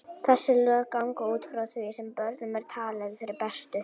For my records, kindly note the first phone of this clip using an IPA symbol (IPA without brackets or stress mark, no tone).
θ